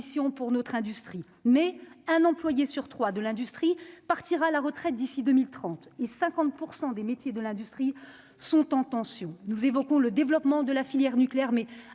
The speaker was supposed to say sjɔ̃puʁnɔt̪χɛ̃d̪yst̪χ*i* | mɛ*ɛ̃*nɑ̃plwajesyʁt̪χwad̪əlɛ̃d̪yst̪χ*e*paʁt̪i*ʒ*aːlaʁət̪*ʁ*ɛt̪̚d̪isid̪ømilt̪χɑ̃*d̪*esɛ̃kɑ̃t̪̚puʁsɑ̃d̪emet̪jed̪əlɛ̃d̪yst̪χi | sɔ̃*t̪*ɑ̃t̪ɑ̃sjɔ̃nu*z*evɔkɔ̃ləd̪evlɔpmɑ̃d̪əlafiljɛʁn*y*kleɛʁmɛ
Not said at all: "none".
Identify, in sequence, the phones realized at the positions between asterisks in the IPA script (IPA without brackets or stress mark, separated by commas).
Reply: i, ɛ̃, i, ʁ, χ, t̪, t̪, z, y